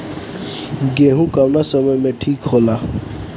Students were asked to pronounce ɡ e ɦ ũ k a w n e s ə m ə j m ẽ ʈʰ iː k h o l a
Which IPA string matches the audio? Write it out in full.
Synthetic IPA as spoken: ɡ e ɦ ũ k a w n a s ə m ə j m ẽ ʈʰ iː k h o l a